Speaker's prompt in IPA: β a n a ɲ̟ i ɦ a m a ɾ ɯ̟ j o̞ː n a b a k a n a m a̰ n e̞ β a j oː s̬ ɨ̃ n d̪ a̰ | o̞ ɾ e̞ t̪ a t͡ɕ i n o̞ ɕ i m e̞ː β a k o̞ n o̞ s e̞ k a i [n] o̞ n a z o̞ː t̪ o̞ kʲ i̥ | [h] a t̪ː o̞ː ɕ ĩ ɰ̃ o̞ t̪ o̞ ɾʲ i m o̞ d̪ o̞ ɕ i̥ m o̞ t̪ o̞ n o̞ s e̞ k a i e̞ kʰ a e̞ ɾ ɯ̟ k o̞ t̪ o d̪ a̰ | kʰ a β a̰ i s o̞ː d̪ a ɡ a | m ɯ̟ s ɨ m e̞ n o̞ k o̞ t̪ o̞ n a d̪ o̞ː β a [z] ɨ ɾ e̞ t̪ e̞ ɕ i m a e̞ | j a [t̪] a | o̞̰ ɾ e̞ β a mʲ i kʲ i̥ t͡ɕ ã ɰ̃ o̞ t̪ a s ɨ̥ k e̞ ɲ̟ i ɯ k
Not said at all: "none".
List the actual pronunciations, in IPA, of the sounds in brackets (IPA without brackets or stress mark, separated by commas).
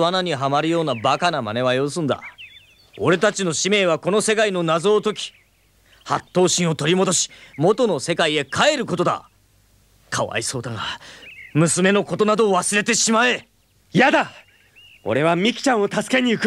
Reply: n, h, s, d̪